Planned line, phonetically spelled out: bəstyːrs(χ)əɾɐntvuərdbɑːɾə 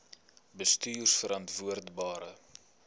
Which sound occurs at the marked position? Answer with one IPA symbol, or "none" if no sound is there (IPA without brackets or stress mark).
f